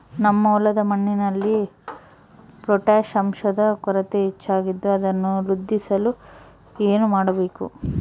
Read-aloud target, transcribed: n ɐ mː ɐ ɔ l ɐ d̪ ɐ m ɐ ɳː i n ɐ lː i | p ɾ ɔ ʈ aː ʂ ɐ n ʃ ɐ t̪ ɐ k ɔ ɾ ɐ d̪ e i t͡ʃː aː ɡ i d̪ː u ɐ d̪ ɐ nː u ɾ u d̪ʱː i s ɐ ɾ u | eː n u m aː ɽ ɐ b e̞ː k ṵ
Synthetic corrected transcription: n ɐ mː ɐ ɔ l ɐ d̪ ɐ m ɐ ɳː i n ɐ lː i | p ɾ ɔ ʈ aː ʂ ɐ m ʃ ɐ d̪ ɐ k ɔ ɾ ɐ t̪ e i t͡ʃː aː ɡ i d̪ː u ɐ d̪ ɐ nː u ɾ u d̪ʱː i s ɐ l u | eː n u m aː ɽ ɐ b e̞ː k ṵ